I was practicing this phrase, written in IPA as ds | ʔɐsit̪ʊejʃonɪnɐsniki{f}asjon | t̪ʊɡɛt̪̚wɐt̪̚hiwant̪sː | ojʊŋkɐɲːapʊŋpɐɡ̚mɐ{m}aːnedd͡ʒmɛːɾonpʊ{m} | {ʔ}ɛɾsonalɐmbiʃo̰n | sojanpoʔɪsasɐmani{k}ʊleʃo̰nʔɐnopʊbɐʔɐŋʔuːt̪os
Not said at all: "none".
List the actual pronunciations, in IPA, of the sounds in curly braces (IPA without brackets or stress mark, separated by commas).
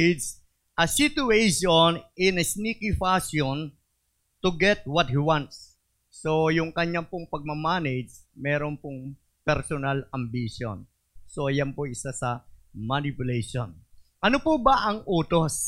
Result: f, m, ŋ, p, p